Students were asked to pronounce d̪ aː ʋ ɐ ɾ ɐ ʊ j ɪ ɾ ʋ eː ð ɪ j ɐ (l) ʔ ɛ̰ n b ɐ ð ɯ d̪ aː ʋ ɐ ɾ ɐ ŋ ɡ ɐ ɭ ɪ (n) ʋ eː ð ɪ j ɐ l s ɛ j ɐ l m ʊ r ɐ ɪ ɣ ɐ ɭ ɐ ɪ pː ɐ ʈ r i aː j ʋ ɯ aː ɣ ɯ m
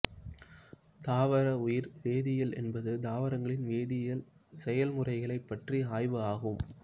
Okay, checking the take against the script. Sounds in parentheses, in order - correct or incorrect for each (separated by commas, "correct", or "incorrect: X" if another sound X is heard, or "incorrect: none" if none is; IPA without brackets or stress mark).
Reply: correct, correct